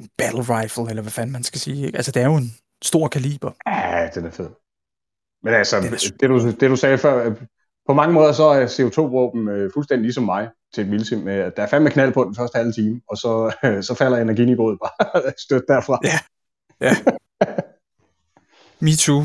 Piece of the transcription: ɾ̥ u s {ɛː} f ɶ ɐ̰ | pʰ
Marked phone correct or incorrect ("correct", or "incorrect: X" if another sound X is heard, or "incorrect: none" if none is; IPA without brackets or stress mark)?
correct